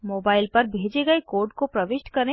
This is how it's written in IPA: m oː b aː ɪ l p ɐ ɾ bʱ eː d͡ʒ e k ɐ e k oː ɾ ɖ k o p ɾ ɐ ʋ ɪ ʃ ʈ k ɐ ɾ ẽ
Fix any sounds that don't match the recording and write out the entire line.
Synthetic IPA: m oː b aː ɪ l p ɐ ɾ bʱ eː d͡ʒ e ɡ ɐ e k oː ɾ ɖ k o p ɾ ɐ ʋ ɪ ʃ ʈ k ɐ ɾ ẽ